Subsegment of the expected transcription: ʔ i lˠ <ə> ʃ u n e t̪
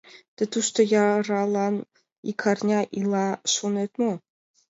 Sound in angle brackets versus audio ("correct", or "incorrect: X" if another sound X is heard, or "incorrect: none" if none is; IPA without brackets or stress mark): incorrect: ɑ